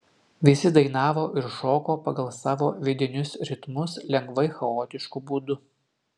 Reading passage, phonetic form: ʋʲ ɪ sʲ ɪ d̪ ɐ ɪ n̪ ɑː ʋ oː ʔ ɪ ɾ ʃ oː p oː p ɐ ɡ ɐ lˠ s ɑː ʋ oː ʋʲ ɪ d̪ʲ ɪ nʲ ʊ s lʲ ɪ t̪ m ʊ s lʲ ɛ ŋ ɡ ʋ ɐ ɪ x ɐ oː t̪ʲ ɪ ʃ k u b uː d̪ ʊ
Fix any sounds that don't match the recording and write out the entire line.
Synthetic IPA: ʋʲ ɪ sʲ ɪ d̪ ɐ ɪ n̪ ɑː ʋ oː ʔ ɪ ɾ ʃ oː k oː p ɐ ɡ ɐ lˠ s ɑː ʋ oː ʋʲ ɪ d̪ʲ ɪ nʲ ʊ s ɾʲ ɪ t̪ m ʊ s lʲ ɛ ŋ ɡ ʋ ɐ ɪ x ɐ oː t̪ʲ ɪ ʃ k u b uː d̪ ʊ